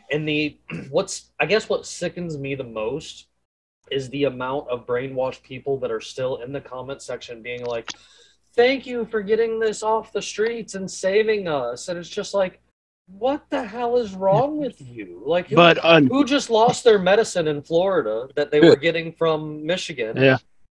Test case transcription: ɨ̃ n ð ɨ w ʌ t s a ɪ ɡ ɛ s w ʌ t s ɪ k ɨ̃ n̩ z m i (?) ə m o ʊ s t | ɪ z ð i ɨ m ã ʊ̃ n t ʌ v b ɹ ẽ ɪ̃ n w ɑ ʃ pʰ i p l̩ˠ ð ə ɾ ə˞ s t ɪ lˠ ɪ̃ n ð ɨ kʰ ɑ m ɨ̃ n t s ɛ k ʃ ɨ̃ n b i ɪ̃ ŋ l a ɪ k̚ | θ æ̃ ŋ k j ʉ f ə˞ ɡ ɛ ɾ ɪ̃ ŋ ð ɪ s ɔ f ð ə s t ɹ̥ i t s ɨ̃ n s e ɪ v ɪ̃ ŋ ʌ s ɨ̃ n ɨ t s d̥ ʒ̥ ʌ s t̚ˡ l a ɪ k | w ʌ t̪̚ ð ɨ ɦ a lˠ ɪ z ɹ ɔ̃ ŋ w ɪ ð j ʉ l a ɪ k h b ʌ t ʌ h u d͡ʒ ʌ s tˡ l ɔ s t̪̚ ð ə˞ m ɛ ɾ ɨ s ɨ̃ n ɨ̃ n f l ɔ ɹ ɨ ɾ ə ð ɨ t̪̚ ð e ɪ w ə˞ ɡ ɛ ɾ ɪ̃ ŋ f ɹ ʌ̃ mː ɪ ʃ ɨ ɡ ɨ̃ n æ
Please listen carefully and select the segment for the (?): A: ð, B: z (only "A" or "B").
A